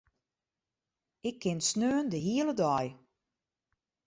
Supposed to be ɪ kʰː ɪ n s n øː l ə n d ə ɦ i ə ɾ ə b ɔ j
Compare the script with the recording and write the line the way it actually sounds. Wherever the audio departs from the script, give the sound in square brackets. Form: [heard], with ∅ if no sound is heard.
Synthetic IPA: ɪ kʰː ɪ n s n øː [∅] ə n d ə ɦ i ə [l] ə [d] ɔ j